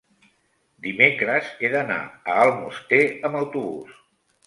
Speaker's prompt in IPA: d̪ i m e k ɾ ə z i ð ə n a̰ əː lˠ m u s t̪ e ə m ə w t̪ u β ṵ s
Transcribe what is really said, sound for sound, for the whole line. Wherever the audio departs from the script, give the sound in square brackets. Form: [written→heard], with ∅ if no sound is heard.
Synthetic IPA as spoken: d̪ i m e k ɾ ə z [i→e] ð ə n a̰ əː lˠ m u s t̪ e ə m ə w t̪ u β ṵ s